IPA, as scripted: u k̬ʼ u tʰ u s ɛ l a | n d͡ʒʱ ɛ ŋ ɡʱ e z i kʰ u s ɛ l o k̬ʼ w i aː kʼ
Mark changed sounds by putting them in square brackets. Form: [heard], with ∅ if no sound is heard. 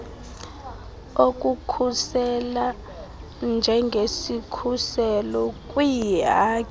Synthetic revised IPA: [o] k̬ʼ u [kʰ] u s ɛ l a | n d͡ʒʱ ɛ ŋ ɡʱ e [s] i kʰ u s ɛ l [ɔ] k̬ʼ w i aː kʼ